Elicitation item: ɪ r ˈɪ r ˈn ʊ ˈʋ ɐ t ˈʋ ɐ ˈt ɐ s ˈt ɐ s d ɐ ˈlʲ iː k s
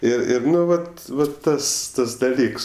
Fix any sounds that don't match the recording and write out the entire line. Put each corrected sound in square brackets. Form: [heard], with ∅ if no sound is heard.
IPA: ɪ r ˈɪ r ˈn ʊ ˈʋ ɐ t ˈʋ ɐ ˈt ɐ s ˈt ɐ s d ɐ ˈlʲ iː k s